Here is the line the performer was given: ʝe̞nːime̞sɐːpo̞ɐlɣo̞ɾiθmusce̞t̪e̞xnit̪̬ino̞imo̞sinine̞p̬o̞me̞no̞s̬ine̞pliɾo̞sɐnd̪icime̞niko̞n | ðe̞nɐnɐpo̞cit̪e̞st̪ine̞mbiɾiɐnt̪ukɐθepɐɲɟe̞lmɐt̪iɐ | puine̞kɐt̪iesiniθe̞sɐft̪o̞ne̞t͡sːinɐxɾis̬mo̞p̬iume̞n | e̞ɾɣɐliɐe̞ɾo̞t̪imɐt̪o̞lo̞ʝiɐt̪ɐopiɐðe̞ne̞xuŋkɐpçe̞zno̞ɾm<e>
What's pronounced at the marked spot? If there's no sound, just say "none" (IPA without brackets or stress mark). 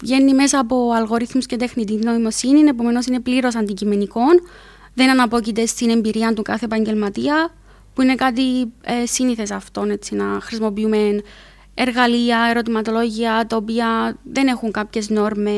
e